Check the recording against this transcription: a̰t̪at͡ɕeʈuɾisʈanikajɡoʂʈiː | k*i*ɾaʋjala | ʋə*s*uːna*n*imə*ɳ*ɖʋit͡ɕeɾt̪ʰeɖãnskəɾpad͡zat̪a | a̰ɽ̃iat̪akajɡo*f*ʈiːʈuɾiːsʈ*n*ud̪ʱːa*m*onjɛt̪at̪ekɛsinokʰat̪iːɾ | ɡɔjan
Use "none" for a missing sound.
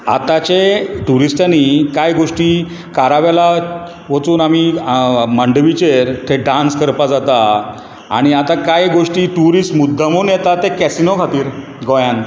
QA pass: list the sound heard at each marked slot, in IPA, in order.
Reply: a, t͡s, m, ɳ, ʂ, m, m

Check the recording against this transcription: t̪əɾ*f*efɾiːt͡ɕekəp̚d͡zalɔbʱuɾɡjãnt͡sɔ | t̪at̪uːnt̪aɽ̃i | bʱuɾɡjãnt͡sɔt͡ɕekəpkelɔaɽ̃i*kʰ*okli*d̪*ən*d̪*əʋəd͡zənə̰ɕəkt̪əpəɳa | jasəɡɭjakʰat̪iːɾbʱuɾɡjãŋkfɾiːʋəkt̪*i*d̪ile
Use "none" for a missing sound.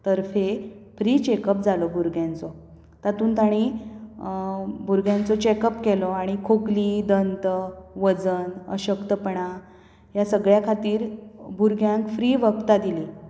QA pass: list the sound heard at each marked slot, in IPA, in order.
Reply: f, kʰ, d̪, t̪, a

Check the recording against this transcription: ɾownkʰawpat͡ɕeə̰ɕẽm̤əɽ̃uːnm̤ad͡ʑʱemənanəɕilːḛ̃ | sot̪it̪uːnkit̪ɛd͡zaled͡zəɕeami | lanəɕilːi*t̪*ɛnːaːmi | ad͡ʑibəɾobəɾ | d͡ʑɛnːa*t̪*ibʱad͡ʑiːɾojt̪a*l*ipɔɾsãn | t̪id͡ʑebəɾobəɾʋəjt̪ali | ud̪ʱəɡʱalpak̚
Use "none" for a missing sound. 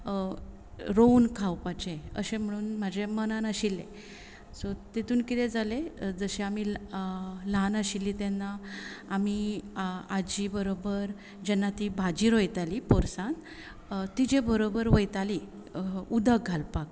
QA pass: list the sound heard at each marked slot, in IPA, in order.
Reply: t̪, t̪, l

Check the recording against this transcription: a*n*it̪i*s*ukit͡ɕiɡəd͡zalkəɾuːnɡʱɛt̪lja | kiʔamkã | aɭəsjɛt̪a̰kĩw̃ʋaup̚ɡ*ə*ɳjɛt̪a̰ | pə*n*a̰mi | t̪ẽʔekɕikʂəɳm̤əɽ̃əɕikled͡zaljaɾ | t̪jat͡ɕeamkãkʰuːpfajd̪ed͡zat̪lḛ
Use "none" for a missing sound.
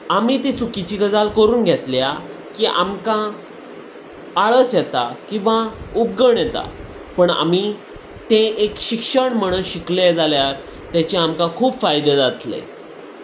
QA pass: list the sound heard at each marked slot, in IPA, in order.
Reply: m, t͡s, ə, ɳ

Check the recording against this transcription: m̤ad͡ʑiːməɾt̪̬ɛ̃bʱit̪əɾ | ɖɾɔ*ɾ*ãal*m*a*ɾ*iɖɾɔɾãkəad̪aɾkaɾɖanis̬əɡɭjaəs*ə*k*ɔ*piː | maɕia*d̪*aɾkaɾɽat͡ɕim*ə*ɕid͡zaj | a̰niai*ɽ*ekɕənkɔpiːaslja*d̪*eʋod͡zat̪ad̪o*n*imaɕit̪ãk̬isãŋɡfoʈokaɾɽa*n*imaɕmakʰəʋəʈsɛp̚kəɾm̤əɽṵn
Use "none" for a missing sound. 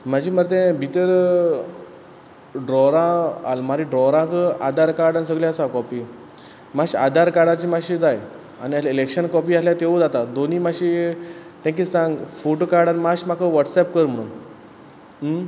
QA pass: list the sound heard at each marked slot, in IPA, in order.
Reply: ɾ, m, ɾ, a, ɔ, d̪, a, l, t̪, n, n

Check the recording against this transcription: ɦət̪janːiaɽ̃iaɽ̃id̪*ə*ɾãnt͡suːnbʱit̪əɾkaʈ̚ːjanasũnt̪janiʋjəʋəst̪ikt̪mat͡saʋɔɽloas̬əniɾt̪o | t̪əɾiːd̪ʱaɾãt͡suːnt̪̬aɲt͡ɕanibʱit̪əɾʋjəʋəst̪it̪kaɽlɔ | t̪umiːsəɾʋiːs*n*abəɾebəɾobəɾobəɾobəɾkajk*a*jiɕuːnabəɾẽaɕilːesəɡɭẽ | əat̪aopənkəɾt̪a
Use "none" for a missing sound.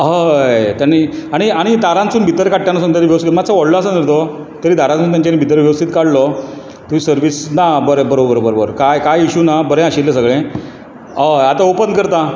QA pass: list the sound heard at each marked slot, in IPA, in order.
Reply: a, n, a

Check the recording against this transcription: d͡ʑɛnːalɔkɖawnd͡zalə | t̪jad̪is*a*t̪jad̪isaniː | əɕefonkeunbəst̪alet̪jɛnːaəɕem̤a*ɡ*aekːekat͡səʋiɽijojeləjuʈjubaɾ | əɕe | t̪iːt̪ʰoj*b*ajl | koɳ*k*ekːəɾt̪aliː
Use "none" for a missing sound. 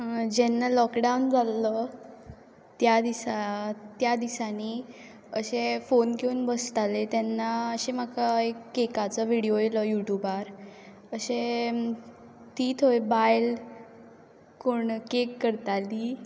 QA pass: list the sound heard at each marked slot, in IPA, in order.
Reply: a, k, b, k

